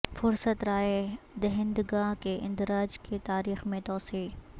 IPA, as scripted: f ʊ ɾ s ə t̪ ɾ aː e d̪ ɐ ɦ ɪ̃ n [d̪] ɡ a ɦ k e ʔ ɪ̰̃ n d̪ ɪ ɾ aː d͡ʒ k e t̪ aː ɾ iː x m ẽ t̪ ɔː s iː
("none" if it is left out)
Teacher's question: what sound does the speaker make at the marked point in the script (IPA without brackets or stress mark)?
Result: d̪